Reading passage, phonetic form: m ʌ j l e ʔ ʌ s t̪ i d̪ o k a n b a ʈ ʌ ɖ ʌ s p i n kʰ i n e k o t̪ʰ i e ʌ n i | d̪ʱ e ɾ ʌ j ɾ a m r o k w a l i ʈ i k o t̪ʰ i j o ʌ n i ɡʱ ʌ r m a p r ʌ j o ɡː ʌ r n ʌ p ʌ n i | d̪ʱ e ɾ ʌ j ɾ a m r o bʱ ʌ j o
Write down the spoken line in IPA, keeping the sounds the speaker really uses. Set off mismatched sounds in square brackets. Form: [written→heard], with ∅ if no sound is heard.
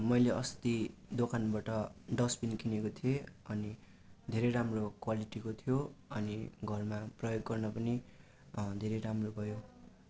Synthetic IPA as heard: m ʌ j l e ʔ ʌ s t̪ i d̪ o k a n b a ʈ ʌ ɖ ʌ s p i n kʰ i n e k o t̪ʰ i e ʌ n i | d̪ʱ e ɾ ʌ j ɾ a m r o k w a l i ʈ i k o t̪ʰ i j o ʌ n i ɡʱ ʌ r m a p r ʌ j o ɡː ʌ r n ʌ p ʌ n i | d̪ʱ e ɾ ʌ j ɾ a m r o bʱ ʌ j o